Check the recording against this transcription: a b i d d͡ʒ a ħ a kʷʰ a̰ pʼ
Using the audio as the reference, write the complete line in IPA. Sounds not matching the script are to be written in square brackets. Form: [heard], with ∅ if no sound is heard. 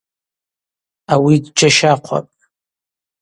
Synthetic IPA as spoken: a [w] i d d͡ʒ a [ʃ] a [qʷʰ] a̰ pʼ